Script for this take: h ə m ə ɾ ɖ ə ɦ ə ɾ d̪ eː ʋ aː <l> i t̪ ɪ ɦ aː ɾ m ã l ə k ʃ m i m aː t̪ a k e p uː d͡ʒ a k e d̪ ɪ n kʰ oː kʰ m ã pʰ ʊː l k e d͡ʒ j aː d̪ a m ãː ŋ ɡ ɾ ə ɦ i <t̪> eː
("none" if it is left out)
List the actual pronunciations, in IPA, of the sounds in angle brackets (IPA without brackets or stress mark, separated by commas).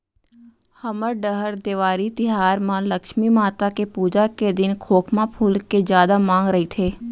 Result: ɾ, t̪ʰ